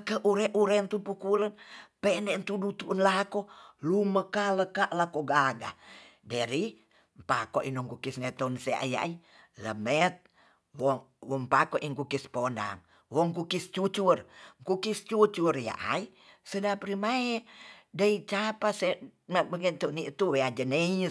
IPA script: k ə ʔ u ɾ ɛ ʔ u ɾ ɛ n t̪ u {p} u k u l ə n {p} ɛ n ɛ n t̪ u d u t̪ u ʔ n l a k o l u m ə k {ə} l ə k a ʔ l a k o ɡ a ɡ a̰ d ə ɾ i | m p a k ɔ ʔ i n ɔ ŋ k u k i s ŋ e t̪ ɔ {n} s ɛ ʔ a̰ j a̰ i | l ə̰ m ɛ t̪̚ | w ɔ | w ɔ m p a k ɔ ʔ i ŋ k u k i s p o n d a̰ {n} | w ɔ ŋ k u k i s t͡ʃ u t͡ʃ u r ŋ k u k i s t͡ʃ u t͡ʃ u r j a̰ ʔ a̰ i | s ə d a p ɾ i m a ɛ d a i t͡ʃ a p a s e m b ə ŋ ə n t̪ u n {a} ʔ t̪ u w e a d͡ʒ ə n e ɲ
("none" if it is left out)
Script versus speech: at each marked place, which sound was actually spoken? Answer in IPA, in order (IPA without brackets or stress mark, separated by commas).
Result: p, p, a, n, ŋ, i